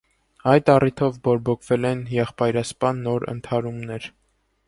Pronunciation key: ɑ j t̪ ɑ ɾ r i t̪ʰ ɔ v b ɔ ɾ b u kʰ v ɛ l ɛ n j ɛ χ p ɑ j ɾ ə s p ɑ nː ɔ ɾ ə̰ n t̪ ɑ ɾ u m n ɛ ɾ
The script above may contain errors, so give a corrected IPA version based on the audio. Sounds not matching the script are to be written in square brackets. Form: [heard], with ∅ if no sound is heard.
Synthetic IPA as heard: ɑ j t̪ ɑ [∅] r i t̪ʰ ɔ v b ɔ ɾ b [ɔ] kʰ v ɛ l ɛ n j ɛ χ p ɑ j ɾ [ɑ] s p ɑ nː ɔ ɾ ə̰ n [t̪ʰ] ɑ ɾ u m n ɛ ɾ